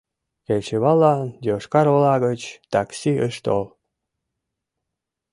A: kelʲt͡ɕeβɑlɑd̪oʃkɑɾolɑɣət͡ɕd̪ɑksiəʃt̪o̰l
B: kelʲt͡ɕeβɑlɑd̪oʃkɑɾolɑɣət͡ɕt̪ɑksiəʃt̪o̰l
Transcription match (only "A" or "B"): B